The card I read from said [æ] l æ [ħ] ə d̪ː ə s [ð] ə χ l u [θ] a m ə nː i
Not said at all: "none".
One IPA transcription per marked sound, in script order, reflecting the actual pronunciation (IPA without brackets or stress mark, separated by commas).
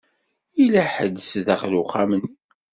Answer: i, ħ, ð, χ